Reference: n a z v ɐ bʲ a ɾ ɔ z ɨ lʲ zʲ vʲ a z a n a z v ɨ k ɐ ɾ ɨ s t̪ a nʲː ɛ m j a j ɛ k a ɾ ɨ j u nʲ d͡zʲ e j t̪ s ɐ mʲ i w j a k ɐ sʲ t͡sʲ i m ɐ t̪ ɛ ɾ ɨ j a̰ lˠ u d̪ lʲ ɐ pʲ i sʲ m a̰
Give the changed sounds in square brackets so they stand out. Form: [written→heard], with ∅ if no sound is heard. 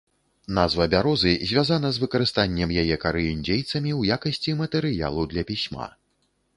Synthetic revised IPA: n a z v ɐ bʲ a ɾ ɔ z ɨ [lʲ→∅] zʲ vʲ a z a n [a→ɐ] z v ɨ k ɐ ɾ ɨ s t̪ a nʲː ɛ m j a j ɛ k a ɾ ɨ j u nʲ d͡zʲ e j t̪ s ɐ mʲ i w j a k ɐ sʲ t͡sʲ i m ɐ t̪ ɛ ɾ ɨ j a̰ lˠ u d̪ lʲ ɐ pʲ i sʲ m a̰